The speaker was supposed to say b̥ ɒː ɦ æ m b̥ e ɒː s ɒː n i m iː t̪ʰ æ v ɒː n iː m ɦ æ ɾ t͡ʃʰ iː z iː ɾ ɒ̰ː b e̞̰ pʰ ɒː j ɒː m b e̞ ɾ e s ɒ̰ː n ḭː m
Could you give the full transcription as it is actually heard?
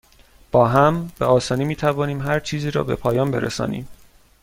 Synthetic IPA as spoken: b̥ ɒː ɦ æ m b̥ e ɒː s ɒː n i m iː t̪ʰ æ v ɒː n iː m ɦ æ ɾ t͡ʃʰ iː z iː ɾ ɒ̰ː b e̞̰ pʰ ɒː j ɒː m b e̞ ɾ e s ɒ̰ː n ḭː m

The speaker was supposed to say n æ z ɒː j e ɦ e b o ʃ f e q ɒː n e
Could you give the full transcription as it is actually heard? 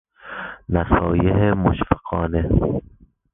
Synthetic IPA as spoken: n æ s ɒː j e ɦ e m o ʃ f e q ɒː n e

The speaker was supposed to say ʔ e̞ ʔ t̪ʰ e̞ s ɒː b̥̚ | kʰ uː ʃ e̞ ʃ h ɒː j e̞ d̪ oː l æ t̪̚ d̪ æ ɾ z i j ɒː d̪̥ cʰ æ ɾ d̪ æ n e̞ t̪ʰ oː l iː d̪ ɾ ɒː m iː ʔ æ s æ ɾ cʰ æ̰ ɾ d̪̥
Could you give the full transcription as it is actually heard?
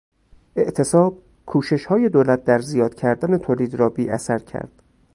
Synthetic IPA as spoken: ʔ e̞ ʔ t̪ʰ e̞ s ɒː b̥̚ | kʰ uː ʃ e̞ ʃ h ɒː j e̞ d̪ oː l æ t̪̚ d̪ æ ɾ z i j ɒː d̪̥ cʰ æ ɾ d̪ æ n e̞ t̪ʰ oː l iː d̪ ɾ ɒː b iː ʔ æ s æ ɾ cʰ æ̰ ɾ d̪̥

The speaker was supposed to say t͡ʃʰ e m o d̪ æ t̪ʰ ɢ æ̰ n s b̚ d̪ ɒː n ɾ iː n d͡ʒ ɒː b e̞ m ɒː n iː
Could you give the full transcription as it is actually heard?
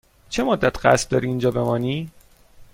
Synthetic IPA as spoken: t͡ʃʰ e m o d̪ː æ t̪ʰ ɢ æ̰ s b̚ d̪ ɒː ɾ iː n d͡ʒ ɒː b e̞ m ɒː n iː

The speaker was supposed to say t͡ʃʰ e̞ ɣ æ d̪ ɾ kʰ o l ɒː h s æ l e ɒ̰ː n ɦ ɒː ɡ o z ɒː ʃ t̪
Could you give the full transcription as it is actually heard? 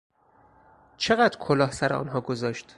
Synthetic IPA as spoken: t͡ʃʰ e̞ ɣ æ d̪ ɾ kʰ o l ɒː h s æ ɾ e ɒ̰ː n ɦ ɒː ɡ o z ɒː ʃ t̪

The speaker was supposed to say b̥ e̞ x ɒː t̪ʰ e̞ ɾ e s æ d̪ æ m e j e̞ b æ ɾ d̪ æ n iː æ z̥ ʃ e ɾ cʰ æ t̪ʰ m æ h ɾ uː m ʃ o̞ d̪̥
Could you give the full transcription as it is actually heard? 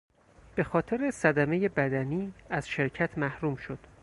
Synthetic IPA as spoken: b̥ e̞ x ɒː t̪ʰ e̞ ɾ e s æ d̪ æ m e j e̞ b æ d̪ æ n iː æ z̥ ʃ e ɾ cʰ æ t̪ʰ m æ h ɾ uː m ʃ o̞ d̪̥

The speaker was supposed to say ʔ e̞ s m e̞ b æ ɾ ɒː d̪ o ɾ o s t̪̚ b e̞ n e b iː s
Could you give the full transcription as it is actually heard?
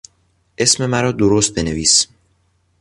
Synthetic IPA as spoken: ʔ e̞ s m e̞ m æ ɾ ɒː d̪ o ɾ o s t̪̚ b e̞ n e v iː s

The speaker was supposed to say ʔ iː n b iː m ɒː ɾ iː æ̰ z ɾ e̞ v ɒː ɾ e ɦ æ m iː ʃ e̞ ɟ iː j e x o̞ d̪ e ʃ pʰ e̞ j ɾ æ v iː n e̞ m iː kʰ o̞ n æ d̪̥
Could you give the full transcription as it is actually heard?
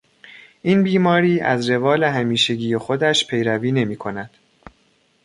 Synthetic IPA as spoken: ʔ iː n b iː m ɒː ɾ iː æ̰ z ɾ e̞ v ɒː l e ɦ æ m iː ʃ e̞ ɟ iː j e x o̞ d̪ æ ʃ pʰ e̞ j ɾ æ v iː n e̞ m iː kʰ o̞ n æ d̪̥

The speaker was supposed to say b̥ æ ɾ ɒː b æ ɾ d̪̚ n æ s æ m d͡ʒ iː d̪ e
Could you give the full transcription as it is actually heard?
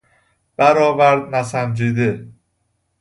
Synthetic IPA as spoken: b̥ æ ɾ ɒː v æ ɾ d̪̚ n æ s æ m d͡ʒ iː d̪ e

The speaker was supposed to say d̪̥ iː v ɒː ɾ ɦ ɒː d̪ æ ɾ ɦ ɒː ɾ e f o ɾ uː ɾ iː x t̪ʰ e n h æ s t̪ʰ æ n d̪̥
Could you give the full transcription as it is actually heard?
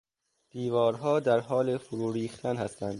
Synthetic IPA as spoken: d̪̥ iː v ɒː ɾ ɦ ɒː d̪ æ ɾ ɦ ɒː l e f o ɾ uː ɾ iː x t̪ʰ æ n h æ s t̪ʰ æ n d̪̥

